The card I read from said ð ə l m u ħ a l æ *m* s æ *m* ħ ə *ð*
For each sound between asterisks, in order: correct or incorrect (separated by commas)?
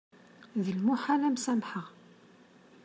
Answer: correct, correct, incorrect